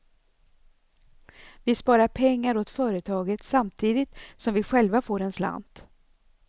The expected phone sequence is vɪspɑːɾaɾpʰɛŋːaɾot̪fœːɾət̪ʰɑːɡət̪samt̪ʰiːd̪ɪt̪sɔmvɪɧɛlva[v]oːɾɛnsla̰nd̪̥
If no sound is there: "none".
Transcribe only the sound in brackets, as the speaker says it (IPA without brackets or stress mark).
f